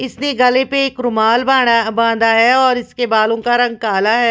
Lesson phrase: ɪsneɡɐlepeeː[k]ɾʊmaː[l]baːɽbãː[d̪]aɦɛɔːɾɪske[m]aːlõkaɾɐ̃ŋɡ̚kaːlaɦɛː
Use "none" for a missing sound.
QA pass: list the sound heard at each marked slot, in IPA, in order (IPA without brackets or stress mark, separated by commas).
k, l, d̪, b